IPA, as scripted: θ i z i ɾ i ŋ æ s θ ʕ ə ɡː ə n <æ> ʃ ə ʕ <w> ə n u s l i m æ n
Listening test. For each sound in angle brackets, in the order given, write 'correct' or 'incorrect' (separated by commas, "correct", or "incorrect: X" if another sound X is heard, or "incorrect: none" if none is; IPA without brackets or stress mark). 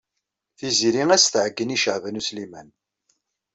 incorrect: i, incorrect: v